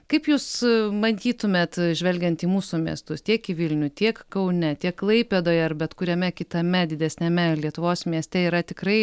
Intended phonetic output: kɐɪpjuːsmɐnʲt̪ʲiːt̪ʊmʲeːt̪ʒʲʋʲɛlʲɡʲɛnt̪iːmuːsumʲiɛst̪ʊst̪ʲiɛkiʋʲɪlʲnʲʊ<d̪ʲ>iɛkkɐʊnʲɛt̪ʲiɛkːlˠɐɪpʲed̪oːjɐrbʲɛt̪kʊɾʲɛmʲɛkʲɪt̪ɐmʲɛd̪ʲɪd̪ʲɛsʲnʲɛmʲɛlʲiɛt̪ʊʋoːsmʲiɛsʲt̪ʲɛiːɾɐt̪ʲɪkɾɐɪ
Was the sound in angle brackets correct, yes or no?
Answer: no